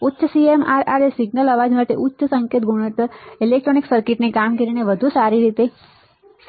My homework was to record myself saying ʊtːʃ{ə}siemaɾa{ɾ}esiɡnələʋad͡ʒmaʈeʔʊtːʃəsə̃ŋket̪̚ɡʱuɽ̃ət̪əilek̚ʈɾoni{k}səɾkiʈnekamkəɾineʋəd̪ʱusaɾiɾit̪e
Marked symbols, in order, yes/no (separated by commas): yes, yes, yes